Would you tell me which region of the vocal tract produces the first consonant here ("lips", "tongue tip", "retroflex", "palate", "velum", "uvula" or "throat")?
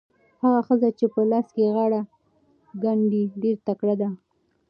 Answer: throat